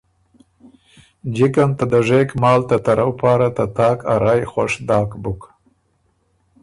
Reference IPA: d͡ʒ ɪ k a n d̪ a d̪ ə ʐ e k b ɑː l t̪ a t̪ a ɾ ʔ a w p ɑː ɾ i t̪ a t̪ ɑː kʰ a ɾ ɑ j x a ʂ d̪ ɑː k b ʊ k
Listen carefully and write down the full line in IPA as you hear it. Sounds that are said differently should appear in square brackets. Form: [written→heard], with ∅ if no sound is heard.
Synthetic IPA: d͡ʒ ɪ k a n [d̪→t̪] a d̪ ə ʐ e k [b→m] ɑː l t̪ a t̪ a ɾ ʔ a w p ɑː ɾ [i→a] t̪ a t̪ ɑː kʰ a ɾ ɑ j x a ʂ d̪ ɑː k b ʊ k